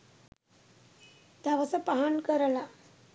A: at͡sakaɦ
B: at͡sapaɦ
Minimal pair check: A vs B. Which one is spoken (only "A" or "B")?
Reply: B